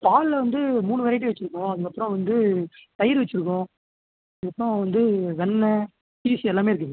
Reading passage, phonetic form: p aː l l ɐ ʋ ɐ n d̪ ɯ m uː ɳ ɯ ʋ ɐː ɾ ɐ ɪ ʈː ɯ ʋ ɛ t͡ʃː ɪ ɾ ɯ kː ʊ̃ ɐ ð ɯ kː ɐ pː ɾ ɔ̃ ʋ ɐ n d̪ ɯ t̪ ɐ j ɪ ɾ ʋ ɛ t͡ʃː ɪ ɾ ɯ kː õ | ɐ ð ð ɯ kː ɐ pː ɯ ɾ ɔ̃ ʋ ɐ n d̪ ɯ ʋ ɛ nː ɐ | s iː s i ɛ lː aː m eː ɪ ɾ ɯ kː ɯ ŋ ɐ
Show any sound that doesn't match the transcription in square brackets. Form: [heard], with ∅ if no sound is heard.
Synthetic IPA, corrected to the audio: p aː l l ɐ ʋ ɐ n d̪ ɯ m uː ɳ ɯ ʋ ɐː ɾ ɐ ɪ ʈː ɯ ʋ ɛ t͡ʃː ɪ ɾ ɯ kː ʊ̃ ɐ ð ɯ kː ɐ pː ɾ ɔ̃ ʋ ɐ n d̪ ɯ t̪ ɐ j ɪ ɾ ʋ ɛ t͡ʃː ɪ ɾ ɯ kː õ | ɐ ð ð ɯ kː ɐ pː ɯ ɾ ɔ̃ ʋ ɐ n d̪ ɯ ʋ ɛ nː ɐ | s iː s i ɛ lː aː m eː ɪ ɾ ɯ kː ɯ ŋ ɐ